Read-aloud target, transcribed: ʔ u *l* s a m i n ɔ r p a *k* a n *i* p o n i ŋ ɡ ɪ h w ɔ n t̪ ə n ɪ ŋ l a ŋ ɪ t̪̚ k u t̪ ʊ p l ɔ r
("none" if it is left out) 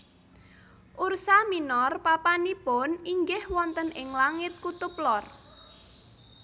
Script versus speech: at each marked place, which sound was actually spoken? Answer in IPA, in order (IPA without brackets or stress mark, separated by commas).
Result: r, p, i